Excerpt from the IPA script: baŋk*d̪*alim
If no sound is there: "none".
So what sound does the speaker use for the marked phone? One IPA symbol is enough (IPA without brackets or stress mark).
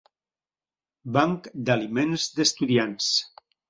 d̪